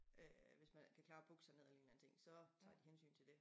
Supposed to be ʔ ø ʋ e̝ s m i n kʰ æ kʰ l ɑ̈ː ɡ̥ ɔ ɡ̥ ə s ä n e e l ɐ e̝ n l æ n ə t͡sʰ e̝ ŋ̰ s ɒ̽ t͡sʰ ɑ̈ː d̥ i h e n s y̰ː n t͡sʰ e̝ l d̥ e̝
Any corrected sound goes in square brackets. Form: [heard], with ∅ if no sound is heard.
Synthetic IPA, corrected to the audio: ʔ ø ʋ e̝ s m [æ] n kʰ æ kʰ l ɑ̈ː [b̥] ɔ ɡ̥ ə s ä n e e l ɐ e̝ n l æ n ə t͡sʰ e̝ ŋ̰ s ɒ̽ t͡sʰ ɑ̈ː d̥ i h e n s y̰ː n t͡sʰ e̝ l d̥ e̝